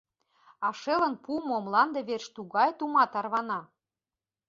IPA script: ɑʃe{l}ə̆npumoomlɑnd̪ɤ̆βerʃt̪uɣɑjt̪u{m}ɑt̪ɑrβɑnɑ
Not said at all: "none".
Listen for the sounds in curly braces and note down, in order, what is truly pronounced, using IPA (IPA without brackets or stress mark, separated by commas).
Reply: l, m